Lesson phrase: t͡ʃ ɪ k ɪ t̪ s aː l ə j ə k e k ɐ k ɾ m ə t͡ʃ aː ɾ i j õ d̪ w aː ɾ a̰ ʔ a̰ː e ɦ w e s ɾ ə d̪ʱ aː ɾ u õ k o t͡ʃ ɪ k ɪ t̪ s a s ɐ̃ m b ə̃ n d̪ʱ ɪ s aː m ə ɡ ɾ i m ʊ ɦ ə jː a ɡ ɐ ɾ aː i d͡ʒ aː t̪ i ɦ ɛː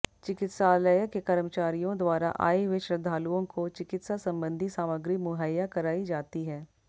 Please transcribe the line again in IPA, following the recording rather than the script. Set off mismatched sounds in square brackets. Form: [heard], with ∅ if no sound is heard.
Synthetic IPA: t͡ʃ ɪ k ɪ t̪ s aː l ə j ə k e k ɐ [∅] ɾ m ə t͡ʃ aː ɾ i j õ d̪ w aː ɾ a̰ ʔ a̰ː e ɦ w e [ʃ] ɾ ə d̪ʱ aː [l] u õ k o t͡ʃ ɪ k ɪ t̪ s a s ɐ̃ m b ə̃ n d̪ʱ [i] s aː m ə ɡ ɾ i m ʊ ɦ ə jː a [k] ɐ ɾ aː i d͡ʒ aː t̪ i ɦ ɛː

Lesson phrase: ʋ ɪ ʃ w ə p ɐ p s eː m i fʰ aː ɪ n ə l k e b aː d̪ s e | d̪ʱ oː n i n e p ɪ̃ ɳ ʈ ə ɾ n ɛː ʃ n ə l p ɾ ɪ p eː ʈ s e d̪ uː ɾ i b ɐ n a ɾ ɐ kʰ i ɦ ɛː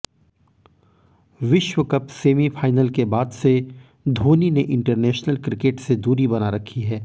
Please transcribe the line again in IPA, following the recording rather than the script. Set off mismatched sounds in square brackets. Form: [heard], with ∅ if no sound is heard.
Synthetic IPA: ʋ ɪ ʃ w ə [k] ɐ p s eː m i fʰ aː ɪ n ə l k e b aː d̪ s e | d̪ʱ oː n i n e [ʔ] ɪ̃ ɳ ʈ ə ɾ n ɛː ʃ n ə l [k] ɾ ɪ [k] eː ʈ s e d̪ uː ɾ i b ɐ n a ɾ ɐ kʰ i ɦ ɛː

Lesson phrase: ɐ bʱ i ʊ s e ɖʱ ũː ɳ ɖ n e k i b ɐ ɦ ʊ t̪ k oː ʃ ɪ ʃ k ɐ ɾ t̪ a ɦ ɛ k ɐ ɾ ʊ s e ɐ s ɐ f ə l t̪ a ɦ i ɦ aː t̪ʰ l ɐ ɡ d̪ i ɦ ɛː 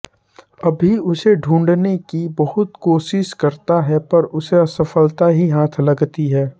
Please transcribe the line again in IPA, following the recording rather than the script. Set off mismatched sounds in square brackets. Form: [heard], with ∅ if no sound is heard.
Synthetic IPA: ɐ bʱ i ʊ s e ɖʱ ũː ɳ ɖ n e k i b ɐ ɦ ʊ t̪ k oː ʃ ɪ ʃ k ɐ ɾ t̪ a ɦ ɛ [p] ɐ ɾ ʊ s e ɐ s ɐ f ə l t̪ a ɦ i ɦ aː t̪ʰ l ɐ ɡ [t̪] i ɦ ɛː

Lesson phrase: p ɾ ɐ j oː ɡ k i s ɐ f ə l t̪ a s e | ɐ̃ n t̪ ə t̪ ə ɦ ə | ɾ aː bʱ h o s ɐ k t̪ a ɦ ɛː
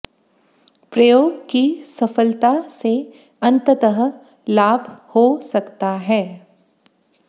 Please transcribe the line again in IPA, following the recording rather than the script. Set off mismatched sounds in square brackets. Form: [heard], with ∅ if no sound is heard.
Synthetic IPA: p ɾ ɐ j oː ɡ k i s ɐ f ə l t̪ a s e | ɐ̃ n t̪ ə t̪ ə ɦ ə | [l] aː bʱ h o s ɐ k t̪ a ɦ ɛː

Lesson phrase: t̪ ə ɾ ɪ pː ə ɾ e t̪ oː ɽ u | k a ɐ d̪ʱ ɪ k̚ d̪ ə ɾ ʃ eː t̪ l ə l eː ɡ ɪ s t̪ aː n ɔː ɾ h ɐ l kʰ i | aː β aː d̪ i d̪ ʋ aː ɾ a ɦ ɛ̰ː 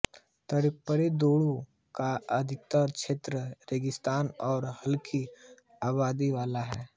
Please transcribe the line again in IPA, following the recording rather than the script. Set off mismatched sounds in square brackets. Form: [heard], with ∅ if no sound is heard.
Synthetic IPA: t̪ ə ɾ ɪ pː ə ɾ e [d̪] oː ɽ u | k a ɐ d̪ʱ ɪ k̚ [t̪] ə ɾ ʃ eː t̪ [ɾ] ə [ɾ] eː ɡ ɪ s t̪ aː n ɔː ɾ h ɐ l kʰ i | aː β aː d̪ i [∅] ʋ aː [l] a ɦ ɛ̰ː

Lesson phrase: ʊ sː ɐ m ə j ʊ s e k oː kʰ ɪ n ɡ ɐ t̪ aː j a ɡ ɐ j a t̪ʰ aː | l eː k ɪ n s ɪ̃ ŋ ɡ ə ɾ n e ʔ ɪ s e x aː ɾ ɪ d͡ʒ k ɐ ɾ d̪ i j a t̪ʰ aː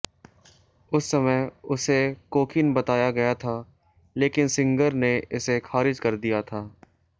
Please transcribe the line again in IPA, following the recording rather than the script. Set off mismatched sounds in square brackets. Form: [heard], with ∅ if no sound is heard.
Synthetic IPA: ʊ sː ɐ m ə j ʊ s e k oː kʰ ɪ n [b] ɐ t̪ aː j a ɡ ɐ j a t̪ʰ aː | l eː k ɪ n s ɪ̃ ŋ ɡ ə ɾ n e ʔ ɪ s e x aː ɾ ɪ d͡ʒ k ɐ ɾ d̪ i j a t̪ʰ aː

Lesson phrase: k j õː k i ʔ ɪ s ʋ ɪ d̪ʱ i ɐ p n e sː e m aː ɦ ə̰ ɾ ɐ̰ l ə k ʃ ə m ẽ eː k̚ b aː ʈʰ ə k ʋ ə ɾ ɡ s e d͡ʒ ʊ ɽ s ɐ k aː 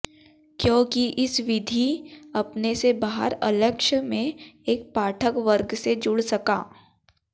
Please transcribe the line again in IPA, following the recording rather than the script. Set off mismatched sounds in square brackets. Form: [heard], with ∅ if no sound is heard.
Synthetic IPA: k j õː k i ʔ ɪ s ʋ ɪ d̪ʱ i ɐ p n e [s] e [b] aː ɦ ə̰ ɾ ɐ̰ l ə k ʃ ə m ẽ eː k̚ [p] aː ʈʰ ə k ʋ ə ɾ ɡ s e d͡ʒ ʊ ɽ s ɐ k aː

